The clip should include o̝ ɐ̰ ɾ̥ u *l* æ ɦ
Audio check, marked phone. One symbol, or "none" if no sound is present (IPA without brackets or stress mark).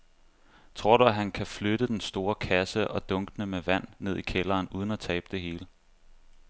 none